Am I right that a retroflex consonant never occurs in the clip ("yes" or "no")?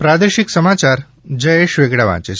no